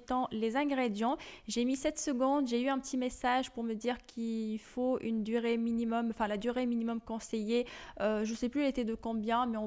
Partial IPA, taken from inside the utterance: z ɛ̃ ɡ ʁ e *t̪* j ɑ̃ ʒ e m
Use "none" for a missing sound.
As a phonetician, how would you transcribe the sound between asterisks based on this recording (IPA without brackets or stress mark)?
d̪